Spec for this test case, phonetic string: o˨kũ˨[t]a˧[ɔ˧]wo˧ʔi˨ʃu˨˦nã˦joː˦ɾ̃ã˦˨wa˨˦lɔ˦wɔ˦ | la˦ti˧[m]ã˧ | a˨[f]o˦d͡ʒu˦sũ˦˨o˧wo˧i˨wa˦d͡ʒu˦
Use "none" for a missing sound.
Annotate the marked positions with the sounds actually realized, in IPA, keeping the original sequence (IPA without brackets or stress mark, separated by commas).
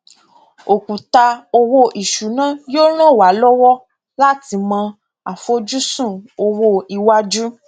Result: t, o˧, m, f